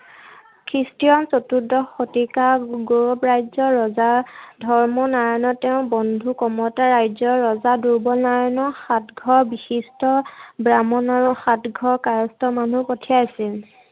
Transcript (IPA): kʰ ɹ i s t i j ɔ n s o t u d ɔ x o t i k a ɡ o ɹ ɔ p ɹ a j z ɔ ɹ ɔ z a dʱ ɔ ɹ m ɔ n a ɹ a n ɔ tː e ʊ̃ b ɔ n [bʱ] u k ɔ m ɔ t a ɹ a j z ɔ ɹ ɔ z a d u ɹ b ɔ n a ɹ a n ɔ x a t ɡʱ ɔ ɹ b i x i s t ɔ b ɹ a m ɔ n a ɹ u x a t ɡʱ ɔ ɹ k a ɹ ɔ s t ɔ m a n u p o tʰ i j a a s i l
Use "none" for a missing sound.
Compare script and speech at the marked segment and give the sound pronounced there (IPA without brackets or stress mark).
dʱ